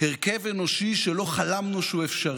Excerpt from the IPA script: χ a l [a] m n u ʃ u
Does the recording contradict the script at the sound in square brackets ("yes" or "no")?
no